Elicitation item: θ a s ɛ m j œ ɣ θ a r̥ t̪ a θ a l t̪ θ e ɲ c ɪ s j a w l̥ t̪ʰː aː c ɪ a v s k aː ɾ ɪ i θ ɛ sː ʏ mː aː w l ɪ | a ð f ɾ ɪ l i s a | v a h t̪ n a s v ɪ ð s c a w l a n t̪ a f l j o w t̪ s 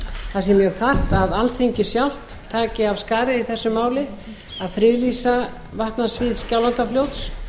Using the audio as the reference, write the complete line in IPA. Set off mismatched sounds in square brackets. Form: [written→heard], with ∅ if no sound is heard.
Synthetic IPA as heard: θ a s ɛ m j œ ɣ θ a r̥ t̪ a [θ→ð] a l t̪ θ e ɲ c ɪ s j a w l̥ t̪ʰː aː c ɪ a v s k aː ɾ ɪ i θ ɛ sː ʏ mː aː w l ɪ | a ð f ɾ ɪ l i s a | v a h t̪ n a s v ɪ ð s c a w l a n t̪ a f l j o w t̪ s